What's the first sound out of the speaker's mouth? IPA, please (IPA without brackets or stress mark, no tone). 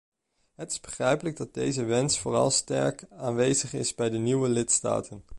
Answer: ɦ